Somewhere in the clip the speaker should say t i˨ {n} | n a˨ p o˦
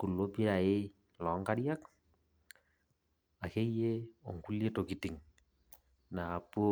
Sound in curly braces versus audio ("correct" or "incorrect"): incorrect